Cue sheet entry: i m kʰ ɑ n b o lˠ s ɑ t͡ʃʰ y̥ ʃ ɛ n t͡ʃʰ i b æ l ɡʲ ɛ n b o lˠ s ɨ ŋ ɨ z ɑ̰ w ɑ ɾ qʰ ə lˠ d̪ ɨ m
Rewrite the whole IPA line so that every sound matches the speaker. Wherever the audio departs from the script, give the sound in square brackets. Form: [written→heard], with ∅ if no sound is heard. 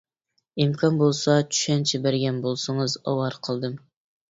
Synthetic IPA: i m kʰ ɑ n b o lˠ s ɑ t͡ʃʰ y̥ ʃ ɛ n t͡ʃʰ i b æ [l→ɾ] ɡʲ ɛ n b o lˠ s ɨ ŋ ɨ z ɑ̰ w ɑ ɾ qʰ ə lˠ d̪ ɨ m